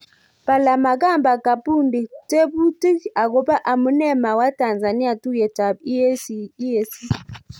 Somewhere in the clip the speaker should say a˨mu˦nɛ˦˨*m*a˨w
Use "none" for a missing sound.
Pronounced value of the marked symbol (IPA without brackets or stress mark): m